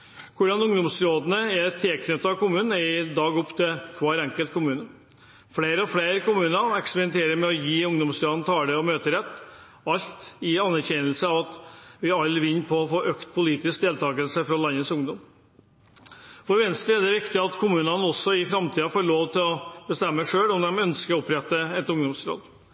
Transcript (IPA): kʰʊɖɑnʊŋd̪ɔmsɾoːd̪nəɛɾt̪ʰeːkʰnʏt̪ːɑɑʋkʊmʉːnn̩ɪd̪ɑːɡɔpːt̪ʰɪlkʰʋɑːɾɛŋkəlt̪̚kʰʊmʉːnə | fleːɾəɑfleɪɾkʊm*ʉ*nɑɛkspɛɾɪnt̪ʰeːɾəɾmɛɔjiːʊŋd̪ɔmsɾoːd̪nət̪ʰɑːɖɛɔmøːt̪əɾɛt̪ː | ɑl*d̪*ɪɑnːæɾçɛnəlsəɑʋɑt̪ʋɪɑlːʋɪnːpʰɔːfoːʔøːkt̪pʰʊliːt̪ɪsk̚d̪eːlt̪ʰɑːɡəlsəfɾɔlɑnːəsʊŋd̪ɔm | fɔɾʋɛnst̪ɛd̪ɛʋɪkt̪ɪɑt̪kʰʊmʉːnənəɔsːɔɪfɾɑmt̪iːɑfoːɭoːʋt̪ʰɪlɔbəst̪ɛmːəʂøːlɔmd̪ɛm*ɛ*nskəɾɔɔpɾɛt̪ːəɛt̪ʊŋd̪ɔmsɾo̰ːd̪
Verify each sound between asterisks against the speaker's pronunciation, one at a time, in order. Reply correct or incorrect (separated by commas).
incorrect, incorrect, incorrect